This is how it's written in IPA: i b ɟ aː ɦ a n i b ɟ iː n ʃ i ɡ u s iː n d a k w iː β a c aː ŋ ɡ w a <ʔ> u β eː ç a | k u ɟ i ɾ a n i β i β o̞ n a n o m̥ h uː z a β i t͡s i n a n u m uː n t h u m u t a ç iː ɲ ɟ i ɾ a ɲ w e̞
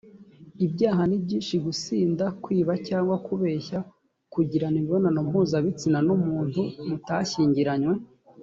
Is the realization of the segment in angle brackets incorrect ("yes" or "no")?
yes